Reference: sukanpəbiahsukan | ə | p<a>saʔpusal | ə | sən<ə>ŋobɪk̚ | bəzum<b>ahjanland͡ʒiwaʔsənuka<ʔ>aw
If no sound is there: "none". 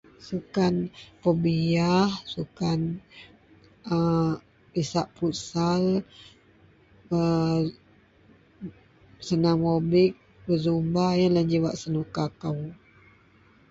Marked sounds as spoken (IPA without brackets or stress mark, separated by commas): i, a, b, k